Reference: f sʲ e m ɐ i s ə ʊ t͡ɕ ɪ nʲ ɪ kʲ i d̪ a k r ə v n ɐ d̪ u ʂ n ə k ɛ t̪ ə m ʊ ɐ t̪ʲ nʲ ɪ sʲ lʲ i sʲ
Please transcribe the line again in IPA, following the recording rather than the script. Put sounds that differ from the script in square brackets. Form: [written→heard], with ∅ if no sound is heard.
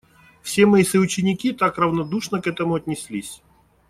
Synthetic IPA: f sʲ e m ɐ i s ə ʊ t͡ɕ ɪ nʲ ɪ kʲ i [d̪→t̪] a k r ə v n ɐ d̪ u ʂ n ə k ɛ t̪ ə m ʊ ɐ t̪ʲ nʲ ɪ sʲ lʲ i sʲ